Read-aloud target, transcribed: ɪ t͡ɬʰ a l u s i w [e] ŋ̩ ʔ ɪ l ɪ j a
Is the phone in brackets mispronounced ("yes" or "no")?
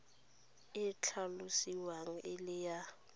yes